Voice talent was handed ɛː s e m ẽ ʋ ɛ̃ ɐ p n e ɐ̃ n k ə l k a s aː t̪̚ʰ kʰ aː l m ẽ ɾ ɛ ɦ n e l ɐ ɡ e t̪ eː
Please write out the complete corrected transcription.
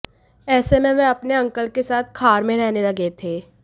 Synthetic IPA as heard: ɛː s e m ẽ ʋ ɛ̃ ɐ p n e ɐ̃ ŋ k ə l k e s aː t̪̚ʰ kʰ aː ɾ m ẽ ɾ ɛ ɦ n e l ɐ ɡ e t̪ʰ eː